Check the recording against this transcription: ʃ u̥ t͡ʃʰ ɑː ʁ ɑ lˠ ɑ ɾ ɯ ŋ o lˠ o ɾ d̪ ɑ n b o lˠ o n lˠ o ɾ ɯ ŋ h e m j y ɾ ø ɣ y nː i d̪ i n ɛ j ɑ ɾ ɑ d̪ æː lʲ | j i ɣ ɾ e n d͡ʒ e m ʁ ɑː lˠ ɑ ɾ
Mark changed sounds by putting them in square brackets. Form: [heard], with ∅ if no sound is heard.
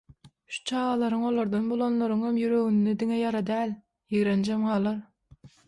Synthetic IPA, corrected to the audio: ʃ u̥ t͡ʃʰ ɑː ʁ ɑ lˠ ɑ ɾ ɯ ŋ o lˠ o ɾ d̪ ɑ n b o lˠ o n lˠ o ɾ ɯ ŋ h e m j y ɾ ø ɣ y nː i d̪ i [ŋ] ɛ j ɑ ɾ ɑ d̪ æː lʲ | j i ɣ ɾ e n d͡ʒ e m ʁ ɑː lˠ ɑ ɾ